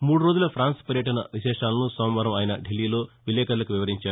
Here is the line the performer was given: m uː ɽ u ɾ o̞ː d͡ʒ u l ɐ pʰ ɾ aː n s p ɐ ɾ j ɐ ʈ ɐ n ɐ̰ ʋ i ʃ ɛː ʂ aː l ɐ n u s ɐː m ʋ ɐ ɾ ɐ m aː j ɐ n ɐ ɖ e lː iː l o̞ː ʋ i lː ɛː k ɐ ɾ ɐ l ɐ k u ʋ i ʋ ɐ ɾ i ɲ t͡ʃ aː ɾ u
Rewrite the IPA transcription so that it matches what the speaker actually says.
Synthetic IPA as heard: m uː ɽ u ɾ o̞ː d͡ʒ u l ɐ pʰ ɾ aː n s p ɐ ɾ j ɐ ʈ ɐ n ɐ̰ ʋ i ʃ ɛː ʂ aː l ɐ n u s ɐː m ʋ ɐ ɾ ɐ m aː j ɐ n ɐ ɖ e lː iː l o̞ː ʋ i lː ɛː k ɐ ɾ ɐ l ɐ k u ʋ i ʋ ɐ ɾ i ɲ t͡ʃ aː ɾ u